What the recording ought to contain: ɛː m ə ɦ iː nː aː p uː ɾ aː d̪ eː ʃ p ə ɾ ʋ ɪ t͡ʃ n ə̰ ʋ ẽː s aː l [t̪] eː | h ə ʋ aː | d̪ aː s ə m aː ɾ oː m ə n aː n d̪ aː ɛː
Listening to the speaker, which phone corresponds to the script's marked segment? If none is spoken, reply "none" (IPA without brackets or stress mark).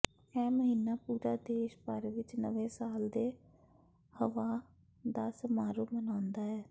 d̪